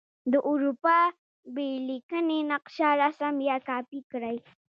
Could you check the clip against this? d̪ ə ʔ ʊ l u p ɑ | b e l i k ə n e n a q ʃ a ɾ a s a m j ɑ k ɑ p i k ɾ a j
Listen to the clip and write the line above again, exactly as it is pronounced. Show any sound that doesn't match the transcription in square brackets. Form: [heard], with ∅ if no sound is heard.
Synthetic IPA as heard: d̪ ə ʔ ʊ [ɾ] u p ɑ | b e l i k ə n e n a q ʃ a ɾ a s a m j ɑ k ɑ p i k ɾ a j